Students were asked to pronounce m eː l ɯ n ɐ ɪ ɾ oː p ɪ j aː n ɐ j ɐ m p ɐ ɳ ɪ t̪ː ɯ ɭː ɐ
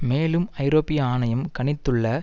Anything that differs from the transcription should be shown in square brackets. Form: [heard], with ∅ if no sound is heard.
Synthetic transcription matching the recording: m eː l ɯ [m] ɐ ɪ ɾ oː p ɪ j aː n ɐ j ɐ m [k] ɐ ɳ ɪ t̪ː ɯ ɭː ɐ